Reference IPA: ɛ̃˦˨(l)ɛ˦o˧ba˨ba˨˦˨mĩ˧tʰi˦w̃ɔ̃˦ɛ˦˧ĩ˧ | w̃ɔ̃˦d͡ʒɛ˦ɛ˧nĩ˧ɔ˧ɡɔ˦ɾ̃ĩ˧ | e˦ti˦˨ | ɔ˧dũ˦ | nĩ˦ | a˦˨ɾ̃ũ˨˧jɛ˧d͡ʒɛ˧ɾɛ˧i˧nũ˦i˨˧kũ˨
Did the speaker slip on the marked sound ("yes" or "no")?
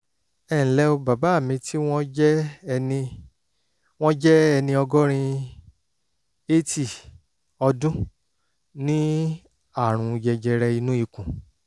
no